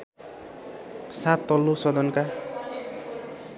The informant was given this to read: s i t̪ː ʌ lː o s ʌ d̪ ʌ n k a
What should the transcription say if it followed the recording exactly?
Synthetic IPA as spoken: s a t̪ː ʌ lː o s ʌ d̪ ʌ n k a